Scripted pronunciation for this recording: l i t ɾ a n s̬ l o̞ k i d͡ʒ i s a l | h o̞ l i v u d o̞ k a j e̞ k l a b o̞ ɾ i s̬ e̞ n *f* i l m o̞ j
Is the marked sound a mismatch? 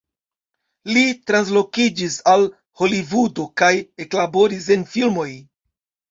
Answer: no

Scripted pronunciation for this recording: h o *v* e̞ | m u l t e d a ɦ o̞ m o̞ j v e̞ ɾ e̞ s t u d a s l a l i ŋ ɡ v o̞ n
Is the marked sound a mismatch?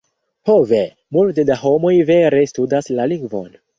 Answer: no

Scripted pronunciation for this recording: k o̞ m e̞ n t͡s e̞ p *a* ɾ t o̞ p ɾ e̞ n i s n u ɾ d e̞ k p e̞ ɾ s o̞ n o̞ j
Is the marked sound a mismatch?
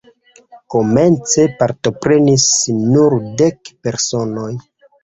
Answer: no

